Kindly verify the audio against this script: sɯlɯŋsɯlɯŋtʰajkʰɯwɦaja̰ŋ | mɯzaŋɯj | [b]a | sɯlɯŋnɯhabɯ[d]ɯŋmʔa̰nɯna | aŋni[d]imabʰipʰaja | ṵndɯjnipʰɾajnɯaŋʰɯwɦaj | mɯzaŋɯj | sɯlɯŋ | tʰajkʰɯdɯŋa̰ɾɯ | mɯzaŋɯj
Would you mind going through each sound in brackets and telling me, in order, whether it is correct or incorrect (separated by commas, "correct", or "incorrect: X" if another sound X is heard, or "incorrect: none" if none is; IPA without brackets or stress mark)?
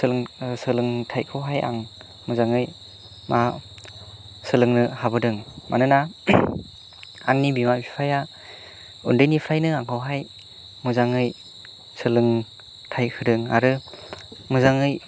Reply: incorrect: m, correct, incorrect: b